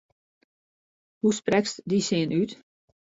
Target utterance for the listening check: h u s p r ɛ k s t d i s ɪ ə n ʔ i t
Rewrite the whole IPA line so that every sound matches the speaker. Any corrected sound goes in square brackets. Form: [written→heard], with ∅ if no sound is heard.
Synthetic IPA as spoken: h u s p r ɛ k s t d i s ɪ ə n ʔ [i→y] t